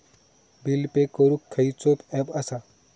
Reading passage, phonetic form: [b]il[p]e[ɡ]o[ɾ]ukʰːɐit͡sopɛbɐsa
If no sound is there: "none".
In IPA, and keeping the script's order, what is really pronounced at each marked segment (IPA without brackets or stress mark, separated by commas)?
b, p, k, ɾ